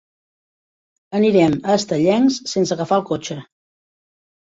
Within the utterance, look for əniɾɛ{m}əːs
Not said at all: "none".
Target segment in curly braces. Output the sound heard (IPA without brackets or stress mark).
m